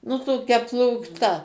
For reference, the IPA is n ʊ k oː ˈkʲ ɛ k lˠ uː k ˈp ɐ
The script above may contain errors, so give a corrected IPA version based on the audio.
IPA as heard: n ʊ t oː ˈkʲ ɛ p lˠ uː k ˈt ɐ